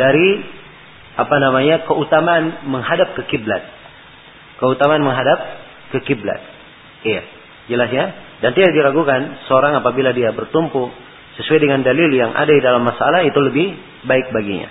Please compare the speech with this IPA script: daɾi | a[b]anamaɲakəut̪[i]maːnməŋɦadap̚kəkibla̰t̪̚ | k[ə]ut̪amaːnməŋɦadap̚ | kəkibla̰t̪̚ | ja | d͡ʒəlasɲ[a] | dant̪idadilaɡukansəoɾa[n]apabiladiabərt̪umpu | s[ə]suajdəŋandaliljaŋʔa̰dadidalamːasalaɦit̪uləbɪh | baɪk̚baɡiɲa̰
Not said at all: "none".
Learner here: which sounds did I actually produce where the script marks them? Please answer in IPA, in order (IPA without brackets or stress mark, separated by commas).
p, a, ə, a, ŋ, ə